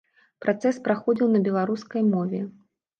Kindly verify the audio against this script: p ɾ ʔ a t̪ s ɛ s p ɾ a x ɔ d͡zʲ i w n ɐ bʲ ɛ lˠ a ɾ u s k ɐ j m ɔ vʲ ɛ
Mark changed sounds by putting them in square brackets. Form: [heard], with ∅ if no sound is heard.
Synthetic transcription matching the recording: p ɾ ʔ a t̪ s ɛ s p ɾ a x ɔ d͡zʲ i w n ɐ bʲ ɛ lˠ a ɾ u s k ɐ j m ɔ vʲ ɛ